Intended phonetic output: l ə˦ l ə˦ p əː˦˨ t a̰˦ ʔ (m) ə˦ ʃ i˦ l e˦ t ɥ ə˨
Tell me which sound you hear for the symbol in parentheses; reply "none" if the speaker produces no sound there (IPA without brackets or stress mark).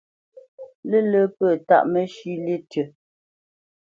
m